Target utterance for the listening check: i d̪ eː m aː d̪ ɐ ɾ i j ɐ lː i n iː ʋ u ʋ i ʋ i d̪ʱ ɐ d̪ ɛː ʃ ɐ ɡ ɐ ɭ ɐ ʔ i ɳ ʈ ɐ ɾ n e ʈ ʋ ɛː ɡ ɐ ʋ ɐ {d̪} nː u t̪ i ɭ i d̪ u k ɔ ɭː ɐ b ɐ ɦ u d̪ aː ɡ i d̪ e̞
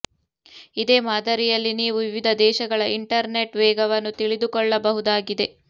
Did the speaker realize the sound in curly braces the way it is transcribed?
no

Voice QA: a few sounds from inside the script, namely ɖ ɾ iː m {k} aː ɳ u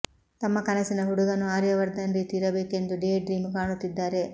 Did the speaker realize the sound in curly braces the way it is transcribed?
yes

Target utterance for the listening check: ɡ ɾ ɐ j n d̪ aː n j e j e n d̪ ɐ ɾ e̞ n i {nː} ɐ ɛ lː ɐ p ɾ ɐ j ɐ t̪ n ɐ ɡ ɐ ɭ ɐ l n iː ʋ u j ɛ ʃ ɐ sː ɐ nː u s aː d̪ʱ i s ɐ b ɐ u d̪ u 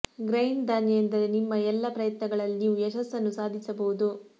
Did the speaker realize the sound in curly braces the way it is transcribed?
no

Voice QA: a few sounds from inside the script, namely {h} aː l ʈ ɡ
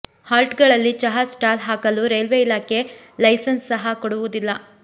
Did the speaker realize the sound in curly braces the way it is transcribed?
yes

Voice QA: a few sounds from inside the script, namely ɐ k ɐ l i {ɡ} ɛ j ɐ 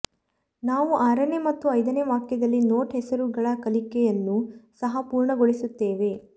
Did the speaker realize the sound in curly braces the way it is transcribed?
no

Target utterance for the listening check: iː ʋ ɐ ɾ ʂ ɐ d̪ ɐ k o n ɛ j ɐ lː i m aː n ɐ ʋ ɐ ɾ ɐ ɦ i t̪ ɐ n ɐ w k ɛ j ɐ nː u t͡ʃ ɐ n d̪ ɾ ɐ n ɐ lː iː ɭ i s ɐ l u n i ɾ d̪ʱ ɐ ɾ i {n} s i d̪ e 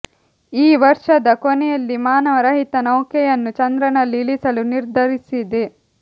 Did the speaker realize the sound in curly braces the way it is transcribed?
no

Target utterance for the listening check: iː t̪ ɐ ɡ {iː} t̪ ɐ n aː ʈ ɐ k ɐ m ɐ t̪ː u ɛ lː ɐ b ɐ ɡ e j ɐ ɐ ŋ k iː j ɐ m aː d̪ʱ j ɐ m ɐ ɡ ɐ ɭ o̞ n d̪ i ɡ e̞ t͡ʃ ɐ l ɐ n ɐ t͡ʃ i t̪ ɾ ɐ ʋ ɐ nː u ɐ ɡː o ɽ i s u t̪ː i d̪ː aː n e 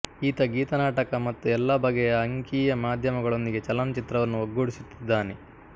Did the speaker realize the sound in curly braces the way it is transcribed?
yes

